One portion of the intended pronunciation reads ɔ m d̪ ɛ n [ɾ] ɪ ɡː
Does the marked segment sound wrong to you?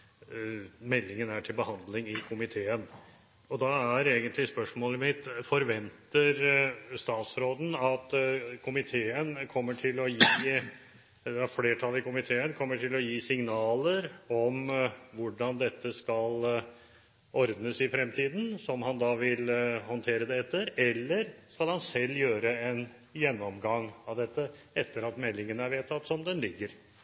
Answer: yes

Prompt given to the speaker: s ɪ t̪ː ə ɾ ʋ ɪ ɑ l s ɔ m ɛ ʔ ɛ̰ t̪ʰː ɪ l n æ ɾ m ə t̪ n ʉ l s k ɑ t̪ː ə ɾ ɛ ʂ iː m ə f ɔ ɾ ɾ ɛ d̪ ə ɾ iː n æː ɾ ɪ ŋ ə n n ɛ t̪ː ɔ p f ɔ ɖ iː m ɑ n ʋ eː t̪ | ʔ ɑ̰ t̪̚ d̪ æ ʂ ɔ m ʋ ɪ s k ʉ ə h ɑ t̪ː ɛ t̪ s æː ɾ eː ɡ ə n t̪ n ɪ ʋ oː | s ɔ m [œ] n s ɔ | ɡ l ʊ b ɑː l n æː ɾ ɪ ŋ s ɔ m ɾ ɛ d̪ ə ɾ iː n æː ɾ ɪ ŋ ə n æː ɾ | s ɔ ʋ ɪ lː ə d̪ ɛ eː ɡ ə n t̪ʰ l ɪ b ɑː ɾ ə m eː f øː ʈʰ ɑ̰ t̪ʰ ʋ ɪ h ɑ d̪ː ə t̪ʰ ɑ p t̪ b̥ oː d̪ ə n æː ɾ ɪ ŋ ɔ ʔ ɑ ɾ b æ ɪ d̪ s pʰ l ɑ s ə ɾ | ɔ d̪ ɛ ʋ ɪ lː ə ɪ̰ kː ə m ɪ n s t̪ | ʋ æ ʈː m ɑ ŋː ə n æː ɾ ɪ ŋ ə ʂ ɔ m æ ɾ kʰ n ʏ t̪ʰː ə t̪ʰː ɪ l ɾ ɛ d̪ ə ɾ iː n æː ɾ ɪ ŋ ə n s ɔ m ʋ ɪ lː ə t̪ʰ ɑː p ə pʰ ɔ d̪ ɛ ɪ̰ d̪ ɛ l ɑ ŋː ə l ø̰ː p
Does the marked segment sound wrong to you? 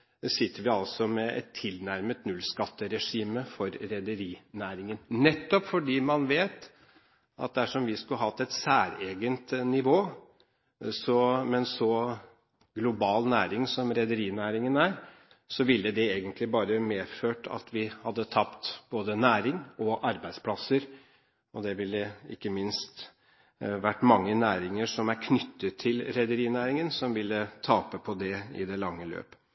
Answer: yes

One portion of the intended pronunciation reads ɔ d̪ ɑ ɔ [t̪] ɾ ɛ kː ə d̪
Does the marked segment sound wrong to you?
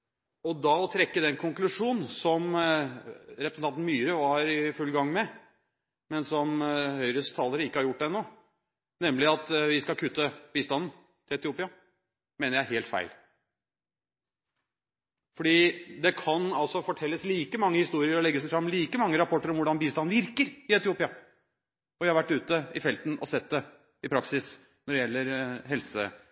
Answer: yes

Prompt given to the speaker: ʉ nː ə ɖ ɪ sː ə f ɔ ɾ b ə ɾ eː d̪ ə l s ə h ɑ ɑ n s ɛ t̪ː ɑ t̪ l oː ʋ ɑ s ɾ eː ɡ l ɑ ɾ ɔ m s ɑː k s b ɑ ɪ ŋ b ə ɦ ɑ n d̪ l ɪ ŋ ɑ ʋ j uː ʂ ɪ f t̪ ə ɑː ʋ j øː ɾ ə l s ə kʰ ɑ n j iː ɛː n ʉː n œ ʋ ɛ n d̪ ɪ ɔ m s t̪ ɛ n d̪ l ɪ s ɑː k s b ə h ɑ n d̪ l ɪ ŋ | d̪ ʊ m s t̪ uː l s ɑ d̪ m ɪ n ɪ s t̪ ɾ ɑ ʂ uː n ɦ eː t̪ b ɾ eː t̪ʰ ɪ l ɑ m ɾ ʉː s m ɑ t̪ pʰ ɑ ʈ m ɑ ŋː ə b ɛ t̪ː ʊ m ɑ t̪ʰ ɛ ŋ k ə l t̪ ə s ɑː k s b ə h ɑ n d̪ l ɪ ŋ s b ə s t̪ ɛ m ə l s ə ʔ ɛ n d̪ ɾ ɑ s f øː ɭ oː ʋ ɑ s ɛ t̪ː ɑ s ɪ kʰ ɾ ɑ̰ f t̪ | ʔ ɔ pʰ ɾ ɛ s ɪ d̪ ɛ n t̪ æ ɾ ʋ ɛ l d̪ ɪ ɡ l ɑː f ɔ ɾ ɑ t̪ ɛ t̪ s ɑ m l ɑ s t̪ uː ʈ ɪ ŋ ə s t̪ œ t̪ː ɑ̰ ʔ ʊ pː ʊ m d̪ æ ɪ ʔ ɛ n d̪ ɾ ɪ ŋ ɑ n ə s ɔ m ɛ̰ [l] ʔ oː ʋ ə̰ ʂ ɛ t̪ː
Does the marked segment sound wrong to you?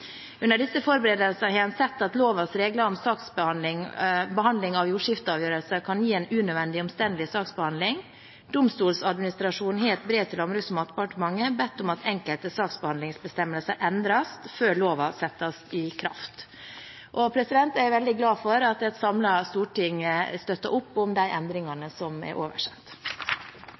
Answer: yes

